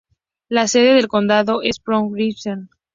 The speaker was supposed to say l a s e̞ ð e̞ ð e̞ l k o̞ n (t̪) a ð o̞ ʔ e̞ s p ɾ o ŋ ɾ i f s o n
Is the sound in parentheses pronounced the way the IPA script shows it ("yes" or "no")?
no